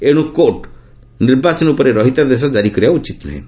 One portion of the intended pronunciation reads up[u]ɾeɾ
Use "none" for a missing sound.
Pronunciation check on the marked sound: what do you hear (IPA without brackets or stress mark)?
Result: ɔ